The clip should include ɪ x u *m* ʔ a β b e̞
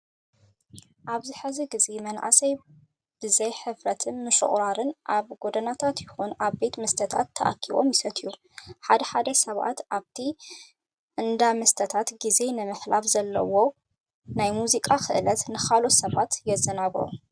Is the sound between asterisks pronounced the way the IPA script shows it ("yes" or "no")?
no